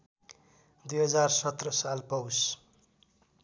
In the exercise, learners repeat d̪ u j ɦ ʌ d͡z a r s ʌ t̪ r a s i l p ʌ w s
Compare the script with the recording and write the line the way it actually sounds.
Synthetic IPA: d̪ u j ɦ ʌ d͡z a r s ʌ t̪ r ʌ s a l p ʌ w s